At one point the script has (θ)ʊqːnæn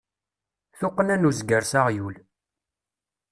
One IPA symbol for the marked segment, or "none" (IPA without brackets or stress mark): θ